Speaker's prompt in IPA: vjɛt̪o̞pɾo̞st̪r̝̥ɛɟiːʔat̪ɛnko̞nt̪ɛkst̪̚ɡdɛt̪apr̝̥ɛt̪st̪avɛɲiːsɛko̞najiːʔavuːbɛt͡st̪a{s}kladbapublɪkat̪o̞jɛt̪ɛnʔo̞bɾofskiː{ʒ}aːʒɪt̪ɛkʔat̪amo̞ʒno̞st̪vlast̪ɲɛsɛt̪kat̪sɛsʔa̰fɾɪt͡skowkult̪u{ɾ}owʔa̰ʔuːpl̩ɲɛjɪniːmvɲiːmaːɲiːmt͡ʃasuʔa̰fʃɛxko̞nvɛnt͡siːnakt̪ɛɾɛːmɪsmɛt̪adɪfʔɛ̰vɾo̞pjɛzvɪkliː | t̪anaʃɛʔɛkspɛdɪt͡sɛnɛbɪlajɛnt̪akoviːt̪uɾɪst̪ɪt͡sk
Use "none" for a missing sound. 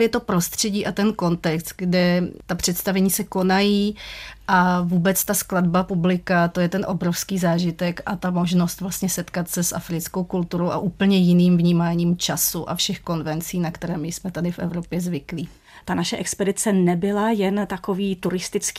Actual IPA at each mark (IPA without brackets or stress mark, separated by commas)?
s, z, ɾ